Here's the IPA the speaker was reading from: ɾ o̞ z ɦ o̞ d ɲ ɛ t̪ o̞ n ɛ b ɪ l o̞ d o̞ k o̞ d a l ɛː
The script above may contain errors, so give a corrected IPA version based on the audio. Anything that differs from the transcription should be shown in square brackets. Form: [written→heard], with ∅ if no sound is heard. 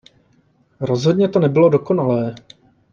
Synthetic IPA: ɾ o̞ z ɦ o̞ d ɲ ɛ t̪ o̞ n ɛ b ɪ l o̞ d o̞ k o̞ [d→n] a l ɛː